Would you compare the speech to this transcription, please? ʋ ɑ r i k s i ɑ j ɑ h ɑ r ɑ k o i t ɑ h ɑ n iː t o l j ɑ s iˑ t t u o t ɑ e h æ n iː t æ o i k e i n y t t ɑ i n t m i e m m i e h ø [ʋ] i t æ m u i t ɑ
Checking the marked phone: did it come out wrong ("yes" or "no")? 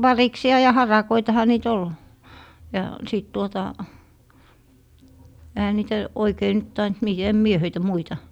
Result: yes